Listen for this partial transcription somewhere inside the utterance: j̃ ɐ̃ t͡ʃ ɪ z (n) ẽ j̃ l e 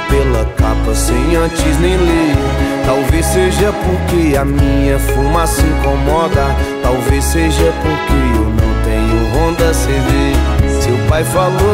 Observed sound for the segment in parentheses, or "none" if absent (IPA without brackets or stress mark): n